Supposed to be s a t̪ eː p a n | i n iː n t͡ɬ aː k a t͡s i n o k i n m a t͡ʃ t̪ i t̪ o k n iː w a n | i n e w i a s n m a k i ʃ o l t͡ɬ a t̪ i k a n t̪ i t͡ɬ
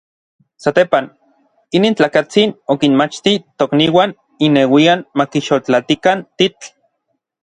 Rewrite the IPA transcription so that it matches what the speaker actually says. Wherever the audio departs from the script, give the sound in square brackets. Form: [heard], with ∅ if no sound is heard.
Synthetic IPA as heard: s a t̪ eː p a n | i n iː n t͡ɬ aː k a t͡s i n o k i n m a t͡ʃ t̪ i t̪ o k n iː w a n | i n e w i a [∅] n m a k i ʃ o l t͡ɬ a t̪ i k a n t̪ i t͡ɬ